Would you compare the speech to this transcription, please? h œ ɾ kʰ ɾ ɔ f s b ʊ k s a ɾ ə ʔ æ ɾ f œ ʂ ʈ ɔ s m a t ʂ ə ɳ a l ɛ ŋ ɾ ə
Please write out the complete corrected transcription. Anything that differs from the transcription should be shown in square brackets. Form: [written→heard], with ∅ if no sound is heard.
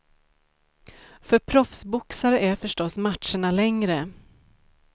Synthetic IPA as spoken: [h→f] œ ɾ [kʰ→pʰ] ɾ ɔ f s b ʊ k s a ɾ ə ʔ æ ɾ f œ ʂ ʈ ɔ s m a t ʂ ə ɳ a l ɛ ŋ ɾ ə